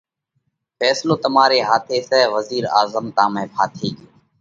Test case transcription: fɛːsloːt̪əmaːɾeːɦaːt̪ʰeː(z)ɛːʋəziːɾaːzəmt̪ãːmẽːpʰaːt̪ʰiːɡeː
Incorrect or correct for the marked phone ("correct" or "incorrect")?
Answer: incorrect